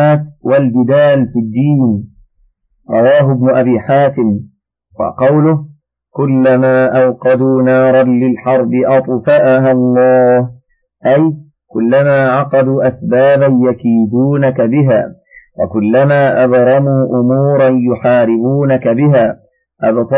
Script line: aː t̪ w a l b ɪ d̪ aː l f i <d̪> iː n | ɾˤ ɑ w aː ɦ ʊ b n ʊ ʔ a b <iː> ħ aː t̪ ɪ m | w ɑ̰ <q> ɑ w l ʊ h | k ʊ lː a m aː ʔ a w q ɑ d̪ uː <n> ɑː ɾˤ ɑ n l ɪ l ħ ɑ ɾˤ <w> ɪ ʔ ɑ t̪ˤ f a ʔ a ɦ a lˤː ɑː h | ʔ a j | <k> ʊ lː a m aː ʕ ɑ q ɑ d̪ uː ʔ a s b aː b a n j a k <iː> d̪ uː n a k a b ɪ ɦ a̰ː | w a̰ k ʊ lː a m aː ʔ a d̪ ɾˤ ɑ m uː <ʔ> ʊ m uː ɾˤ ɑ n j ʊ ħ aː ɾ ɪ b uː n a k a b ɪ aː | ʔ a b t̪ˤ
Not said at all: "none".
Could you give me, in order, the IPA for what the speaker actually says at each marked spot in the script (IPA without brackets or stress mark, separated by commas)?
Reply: d̪ː, iː, q, n, b, k, iː, ʔ